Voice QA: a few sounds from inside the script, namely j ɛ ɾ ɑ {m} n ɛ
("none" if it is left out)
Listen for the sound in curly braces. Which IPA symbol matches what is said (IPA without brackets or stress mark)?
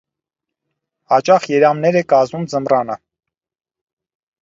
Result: m